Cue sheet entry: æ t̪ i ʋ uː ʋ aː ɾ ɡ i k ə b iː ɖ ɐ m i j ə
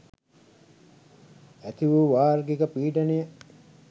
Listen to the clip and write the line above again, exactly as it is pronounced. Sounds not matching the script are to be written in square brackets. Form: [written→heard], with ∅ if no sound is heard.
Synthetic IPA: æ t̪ i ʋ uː ʋ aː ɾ ɡ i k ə [b→p] iː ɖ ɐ [m→n] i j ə